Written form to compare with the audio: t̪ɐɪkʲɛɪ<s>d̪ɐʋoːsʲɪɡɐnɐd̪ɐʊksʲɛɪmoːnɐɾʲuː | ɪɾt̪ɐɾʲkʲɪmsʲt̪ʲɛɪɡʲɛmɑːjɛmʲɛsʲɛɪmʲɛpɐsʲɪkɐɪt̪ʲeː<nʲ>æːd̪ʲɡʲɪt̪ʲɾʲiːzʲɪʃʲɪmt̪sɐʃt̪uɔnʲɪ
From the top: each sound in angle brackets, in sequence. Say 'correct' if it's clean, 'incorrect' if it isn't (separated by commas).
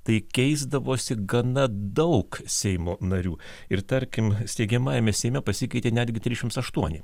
incorrect, correct